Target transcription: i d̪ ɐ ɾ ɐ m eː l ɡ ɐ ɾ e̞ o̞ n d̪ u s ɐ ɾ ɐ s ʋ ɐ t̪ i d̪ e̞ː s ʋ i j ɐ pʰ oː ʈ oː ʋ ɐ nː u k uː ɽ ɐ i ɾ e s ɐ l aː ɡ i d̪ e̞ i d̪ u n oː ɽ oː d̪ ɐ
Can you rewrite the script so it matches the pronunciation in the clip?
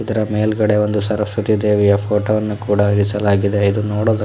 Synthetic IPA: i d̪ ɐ ɾ ɐ m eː l ɡ ɐ ɽ e̞ o̞ n d̪ u s ɐ ɾ ɐ s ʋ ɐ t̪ i d̪ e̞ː ʋ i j ɐ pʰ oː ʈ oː ʋ ɐ nː u k uː ɽ ɐ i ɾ i s ɐ l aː ɡ i d̪ e̞ i d̪ u n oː ɽ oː d̪ ɐ